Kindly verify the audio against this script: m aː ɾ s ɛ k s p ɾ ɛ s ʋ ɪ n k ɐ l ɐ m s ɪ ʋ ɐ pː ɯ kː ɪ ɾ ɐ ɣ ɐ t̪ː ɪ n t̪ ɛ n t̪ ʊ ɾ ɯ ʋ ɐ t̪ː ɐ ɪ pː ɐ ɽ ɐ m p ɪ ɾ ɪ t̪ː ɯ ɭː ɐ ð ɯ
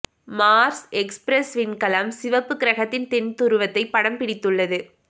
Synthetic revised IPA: m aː ɾ s ɛ k s p ɾ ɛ s ʋ ɪ n k ɐ l ɐ m s ɪ ʋ ɐ pː ɯ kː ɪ ɾ ɐ ɣ ɐ t̪ː ɪ n t̪ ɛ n t̪ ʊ ɾ ɯ ʋ ɐ t̪ː ɐ ɪ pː ɐ ɽ ɐ m p ɪ ɽ ɪ t̪ː ɯ ɭː ɐ ð ɯ